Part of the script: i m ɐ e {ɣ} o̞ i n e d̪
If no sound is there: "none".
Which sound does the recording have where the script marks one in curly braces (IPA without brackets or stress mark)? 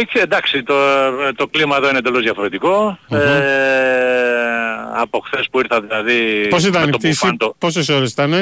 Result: ð